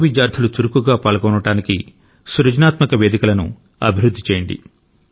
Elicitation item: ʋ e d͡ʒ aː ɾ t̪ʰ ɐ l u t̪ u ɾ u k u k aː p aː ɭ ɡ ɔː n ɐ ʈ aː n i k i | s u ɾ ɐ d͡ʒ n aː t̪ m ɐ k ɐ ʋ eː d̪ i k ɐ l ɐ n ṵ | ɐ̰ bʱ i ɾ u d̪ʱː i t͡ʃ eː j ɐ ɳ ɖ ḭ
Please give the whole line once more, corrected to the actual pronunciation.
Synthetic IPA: ʋ i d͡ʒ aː ɾ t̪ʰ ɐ l u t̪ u ɾ u k u ɡ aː p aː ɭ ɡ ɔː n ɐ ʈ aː n i k i | s u ɾ ɐ d͡ʒ n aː t̪ m ɐ k ɐ ʋ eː d̪ i k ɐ l ɐ n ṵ | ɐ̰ bʱ i ɾ u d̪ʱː i t͡ʃ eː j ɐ ɳ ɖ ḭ

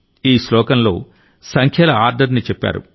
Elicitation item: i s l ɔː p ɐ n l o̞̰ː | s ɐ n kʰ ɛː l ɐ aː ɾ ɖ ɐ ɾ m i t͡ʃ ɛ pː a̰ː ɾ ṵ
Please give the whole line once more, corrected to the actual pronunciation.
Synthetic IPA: iː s l ɔː k ɐ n l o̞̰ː | s ɐ ŋ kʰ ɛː l ɐ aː ɾ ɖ ɐ ɾ n i t͡ʃ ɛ pː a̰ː ɾ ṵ

